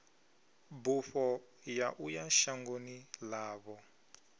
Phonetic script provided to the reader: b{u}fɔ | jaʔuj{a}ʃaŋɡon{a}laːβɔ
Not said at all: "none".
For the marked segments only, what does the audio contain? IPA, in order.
u, a, i

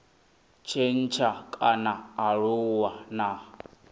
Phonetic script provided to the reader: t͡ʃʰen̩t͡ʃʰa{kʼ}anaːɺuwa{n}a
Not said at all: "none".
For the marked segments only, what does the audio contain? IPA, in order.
kʼ, n

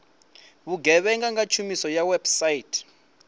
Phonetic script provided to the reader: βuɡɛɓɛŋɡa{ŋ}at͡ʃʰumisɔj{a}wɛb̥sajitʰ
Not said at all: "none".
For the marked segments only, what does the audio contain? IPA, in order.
ŋ, a

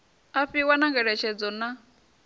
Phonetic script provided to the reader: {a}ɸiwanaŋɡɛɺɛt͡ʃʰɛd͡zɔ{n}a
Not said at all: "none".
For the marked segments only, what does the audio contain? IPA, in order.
a, n

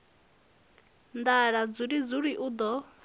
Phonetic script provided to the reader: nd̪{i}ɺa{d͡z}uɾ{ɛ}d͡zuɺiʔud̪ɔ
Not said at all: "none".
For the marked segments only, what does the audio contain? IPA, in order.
a, d͡z, i

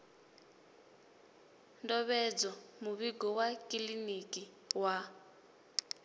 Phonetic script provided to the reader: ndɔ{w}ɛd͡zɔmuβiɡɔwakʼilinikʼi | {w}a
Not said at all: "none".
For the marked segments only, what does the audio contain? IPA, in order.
β, w

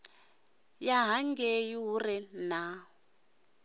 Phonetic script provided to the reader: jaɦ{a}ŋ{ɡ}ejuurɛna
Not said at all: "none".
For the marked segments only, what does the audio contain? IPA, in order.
a, ɡ

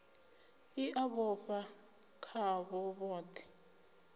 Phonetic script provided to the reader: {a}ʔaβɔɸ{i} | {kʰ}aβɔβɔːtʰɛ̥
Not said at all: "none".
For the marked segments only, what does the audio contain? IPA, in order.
i, a, kʰ

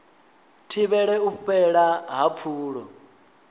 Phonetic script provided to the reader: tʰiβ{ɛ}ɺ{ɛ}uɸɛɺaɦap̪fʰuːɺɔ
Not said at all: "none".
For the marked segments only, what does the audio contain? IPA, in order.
ɛ, ɛ

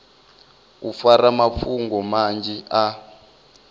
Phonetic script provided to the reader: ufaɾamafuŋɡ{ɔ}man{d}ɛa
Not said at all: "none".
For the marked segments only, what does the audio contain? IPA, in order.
ɔ, d͡ʒ

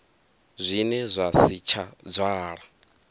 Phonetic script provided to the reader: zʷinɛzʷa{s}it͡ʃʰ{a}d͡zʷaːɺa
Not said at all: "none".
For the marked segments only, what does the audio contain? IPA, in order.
s, a

